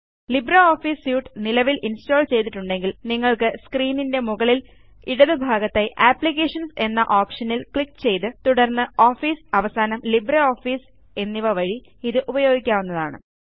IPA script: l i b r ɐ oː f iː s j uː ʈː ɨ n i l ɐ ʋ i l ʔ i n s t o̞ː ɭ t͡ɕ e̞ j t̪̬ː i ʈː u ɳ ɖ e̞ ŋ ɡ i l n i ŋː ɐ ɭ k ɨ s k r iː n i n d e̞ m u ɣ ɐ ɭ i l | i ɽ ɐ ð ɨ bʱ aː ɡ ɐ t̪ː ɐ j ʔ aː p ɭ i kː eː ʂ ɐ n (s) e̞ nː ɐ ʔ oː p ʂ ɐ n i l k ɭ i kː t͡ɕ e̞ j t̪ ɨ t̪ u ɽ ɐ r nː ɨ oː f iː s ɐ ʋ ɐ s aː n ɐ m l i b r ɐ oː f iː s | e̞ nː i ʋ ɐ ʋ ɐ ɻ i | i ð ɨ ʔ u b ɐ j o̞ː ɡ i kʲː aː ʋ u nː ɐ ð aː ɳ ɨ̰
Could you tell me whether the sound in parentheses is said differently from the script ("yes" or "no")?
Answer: no